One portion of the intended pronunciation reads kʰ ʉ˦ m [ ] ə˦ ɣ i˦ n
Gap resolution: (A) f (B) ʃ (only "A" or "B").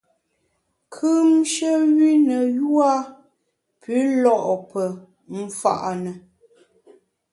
B